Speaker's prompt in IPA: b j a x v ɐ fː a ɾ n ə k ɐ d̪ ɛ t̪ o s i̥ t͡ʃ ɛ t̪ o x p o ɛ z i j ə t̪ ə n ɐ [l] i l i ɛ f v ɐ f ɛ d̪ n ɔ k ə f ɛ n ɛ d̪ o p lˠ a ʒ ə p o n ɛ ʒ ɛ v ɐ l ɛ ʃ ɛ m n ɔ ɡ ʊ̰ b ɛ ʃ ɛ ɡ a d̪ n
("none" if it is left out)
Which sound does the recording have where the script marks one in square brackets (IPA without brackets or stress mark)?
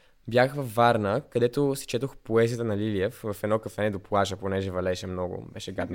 l